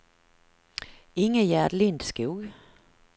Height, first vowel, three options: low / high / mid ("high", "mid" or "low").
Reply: high